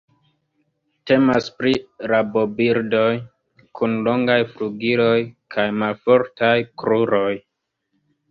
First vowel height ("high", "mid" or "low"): mid